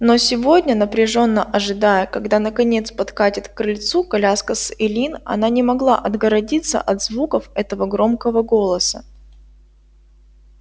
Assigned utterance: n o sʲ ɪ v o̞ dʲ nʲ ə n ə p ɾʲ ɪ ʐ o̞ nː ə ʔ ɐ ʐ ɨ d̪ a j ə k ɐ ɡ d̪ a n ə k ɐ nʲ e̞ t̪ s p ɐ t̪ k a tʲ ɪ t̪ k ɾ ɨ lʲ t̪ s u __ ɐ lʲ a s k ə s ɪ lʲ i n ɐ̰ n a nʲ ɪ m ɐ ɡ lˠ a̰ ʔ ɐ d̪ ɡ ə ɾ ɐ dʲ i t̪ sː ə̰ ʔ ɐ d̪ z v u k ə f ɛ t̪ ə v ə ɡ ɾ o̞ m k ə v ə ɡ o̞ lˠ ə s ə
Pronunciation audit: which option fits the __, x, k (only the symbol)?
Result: k